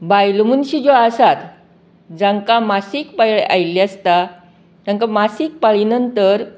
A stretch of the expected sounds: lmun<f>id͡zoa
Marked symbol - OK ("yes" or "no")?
no